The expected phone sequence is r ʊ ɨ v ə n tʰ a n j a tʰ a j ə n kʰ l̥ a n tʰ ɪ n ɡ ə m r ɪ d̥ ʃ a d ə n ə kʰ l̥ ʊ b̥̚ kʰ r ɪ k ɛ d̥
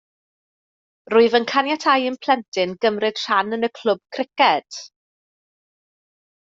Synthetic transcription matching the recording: r ʊ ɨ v ə n kʰ a n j a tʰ a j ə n pʰ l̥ ɛ n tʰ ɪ n ɡ ə m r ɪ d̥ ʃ a n ə n ə kʰ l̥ ʊ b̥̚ kʰ r ɪ k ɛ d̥